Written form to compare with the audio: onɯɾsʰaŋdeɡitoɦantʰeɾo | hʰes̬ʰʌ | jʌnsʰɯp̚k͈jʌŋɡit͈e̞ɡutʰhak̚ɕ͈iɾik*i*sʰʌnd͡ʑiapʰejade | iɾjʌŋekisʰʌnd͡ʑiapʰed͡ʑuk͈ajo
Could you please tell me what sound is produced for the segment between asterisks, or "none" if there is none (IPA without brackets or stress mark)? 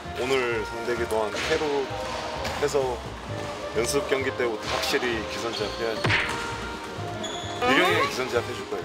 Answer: i